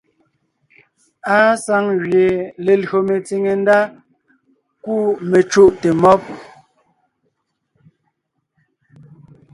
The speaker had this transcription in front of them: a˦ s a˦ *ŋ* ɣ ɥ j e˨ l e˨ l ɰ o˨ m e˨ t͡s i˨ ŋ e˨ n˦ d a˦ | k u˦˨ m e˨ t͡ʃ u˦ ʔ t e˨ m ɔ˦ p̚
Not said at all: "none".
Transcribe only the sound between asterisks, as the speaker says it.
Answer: ŋ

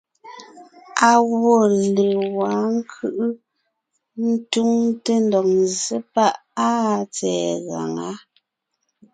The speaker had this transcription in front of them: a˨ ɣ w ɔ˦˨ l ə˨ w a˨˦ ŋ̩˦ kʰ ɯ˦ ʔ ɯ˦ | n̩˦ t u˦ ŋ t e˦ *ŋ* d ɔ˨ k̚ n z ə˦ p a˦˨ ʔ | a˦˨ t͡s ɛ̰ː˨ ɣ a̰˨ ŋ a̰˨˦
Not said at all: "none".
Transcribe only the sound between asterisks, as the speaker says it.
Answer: n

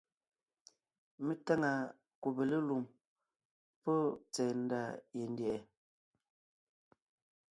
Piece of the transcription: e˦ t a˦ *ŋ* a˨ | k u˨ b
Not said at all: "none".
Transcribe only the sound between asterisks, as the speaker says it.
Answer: ŋ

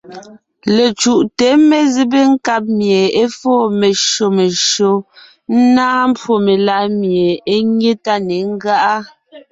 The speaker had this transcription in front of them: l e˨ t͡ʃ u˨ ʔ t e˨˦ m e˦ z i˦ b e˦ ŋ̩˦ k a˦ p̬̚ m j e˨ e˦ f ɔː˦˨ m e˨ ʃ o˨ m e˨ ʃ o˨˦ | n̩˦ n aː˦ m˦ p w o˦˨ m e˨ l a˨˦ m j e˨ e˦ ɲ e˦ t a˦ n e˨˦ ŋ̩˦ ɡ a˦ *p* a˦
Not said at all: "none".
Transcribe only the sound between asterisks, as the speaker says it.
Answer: ʔ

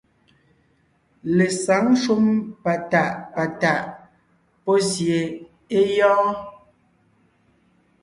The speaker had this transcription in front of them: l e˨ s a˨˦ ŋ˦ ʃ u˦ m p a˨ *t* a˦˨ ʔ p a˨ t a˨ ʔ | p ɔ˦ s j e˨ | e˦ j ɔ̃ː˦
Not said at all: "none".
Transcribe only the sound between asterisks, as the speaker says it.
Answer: t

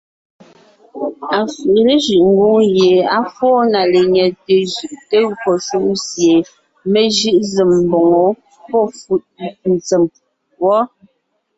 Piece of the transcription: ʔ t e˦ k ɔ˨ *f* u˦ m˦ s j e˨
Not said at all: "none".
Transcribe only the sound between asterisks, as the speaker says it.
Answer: s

